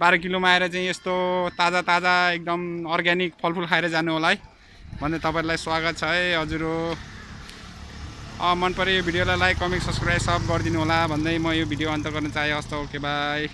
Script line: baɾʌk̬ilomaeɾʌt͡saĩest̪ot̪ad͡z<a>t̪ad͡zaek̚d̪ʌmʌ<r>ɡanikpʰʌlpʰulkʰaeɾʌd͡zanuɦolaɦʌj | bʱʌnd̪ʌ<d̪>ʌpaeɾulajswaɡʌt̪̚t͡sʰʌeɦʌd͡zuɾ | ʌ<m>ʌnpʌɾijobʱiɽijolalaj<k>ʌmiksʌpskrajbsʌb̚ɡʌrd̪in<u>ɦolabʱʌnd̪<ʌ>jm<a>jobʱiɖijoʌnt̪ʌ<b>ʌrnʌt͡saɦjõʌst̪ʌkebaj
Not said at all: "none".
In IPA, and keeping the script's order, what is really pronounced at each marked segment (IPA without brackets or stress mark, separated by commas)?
a, r, t̪, m, k, u, ʌ, ʌ, ɡ